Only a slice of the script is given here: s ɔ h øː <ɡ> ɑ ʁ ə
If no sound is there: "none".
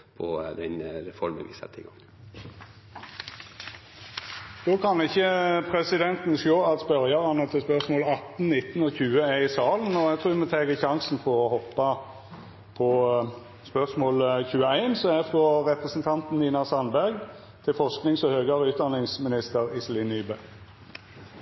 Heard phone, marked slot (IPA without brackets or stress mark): ɡ